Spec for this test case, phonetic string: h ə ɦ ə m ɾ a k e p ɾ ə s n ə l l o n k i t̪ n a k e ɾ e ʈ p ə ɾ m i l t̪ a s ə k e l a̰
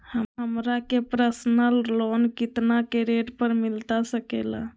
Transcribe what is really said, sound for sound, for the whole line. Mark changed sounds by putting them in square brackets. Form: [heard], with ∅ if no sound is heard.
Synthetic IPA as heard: h ə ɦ ə m ɾ a k e p ɾ ə s n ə l l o n k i t̪ n a k e ɾ e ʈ p ə ɾ m i l t̪ a s ə k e l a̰